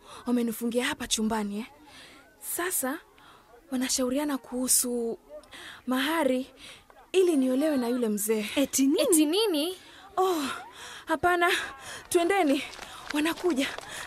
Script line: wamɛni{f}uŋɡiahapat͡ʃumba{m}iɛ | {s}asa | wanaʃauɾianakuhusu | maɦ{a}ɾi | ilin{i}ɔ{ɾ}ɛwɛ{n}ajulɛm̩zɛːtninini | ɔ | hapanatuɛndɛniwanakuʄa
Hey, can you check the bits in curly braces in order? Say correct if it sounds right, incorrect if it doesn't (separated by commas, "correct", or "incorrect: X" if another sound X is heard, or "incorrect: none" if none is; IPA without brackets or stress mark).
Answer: correct, incorrect: n, correct, correct, correct, incorrect: l, correct